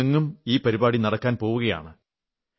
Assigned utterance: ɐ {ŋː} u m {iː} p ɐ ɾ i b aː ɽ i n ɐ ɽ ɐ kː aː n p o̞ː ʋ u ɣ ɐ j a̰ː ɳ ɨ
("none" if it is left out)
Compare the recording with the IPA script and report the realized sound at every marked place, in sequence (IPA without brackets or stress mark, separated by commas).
ŋː, iː